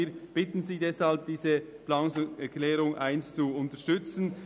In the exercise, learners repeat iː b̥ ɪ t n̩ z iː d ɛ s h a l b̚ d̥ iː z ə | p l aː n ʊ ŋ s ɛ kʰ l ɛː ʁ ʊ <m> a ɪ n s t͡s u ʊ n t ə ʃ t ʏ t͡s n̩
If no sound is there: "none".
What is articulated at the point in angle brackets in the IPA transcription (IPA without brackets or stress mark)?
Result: ŋ